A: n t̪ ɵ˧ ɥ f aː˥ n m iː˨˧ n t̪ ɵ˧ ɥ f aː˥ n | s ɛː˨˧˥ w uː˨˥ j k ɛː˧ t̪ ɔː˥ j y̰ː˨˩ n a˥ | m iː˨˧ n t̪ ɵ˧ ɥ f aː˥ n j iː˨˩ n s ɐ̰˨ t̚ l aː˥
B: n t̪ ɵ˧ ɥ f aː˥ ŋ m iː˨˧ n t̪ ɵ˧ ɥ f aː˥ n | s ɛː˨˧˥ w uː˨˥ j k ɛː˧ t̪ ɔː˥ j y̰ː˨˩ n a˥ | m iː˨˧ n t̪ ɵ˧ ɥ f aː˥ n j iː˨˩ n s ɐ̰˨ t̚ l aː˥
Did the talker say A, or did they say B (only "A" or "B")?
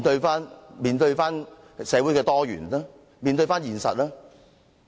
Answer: A